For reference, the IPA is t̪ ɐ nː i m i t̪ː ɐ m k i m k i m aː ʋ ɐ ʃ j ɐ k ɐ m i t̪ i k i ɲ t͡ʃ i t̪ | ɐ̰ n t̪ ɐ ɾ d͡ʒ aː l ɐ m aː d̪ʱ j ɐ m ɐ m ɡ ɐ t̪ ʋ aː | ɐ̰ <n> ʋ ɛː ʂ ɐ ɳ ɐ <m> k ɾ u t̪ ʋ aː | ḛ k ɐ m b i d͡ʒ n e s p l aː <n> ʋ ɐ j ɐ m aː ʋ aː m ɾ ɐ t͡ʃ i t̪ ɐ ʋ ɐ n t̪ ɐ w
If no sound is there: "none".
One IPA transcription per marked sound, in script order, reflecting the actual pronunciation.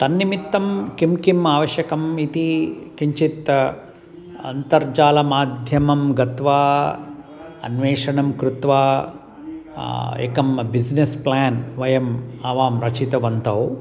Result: n, m, n

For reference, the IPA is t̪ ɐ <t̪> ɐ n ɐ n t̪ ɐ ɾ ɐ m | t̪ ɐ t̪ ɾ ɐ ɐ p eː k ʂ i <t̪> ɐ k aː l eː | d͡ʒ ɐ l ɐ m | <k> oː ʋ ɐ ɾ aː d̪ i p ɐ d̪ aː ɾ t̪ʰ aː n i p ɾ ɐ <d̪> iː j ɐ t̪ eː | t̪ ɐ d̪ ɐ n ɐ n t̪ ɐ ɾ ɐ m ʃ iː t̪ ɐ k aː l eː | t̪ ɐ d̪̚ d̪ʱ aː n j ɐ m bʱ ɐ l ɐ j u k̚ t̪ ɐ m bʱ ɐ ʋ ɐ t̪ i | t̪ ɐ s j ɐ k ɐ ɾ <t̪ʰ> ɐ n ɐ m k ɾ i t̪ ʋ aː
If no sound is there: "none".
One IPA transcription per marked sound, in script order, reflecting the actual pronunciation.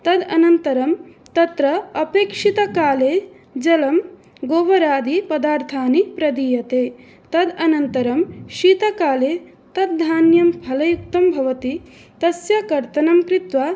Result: d̪, t̪, ɡ, d̪, t̪

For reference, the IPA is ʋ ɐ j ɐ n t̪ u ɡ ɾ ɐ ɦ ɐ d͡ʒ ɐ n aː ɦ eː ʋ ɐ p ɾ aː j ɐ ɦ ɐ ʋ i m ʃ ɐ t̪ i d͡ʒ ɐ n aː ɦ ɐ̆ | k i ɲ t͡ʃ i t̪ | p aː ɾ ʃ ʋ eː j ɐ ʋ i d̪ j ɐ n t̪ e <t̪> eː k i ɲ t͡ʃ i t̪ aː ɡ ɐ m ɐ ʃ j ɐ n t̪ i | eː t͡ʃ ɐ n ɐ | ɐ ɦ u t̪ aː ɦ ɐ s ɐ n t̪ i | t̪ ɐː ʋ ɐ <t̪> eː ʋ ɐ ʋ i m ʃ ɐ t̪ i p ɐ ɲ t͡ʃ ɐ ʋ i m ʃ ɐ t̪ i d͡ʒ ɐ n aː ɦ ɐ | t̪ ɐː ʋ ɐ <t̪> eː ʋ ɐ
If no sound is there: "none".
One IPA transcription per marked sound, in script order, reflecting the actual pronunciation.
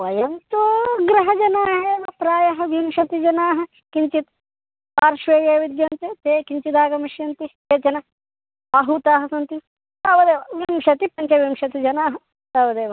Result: t̪, d̪, d̪

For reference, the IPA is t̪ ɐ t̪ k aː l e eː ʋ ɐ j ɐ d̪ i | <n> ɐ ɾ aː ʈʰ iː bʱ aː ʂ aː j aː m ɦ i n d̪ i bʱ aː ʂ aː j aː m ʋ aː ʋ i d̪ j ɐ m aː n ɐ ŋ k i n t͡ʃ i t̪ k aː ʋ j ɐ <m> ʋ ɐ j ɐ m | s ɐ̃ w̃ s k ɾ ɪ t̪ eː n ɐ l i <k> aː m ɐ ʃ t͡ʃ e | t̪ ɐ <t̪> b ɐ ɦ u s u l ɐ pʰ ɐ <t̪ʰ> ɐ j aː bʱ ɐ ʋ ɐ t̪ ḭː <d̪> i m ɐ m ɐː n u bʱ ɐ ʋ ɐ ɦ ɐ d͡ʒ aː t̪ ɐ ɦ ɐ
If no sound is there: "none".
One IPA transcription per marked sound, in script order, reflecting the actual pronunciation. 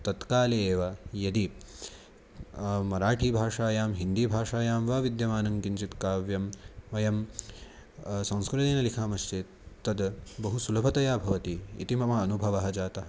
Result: m, m, kʰ, d̪, t̪, t̪

